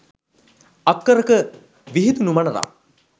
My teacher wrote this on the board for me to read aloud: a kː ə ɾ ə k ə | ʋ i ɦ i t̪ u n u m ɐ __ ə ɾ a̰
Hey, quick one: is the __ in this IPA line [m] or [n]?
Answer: n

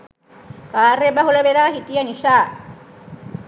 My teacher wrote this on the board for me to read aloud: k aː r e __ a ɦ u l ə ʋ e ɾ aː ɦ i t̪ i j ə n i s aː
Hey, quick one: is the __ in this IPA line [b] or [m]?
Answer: b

